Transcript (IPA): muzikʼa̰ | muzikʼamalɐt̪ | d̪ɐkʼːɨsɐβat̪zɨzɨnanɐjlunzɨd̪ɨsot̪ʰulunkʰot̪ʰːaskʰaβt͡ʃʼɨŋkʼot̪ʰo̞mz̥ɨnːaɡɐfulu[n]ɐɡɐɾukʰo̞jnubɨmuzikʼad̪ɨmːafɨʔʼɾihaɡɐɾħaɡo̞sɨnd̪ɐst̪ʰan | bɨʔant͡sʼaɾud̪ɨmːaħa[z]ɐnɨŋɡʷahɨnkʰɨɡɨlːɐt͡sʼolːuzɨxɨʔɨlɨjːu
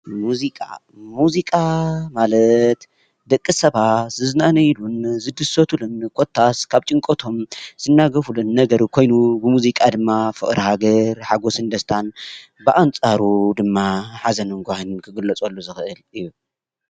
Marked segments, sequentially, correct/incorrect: incorrect: nː, correct

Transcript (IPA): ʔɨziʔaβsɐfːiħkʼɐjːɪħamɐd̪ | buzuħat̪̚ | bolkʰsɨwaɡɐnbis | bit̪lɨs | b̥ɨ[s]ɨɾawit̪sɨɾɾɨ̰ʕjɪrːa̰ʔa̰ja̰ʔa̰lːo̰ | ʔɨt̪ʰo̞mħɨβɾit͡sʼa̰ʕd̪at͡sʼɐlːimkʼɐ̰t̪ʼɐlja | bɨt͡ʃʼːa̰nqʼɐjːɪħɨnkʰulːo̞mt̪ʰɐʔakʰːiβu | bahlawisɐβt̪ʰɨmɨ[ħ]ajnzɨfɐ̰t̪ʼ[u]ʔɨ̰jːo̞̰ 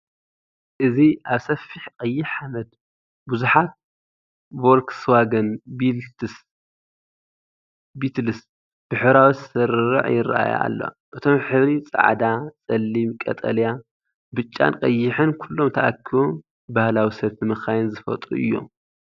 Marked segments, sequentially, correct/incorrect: incorrect: ħ, incorrect: x, correct

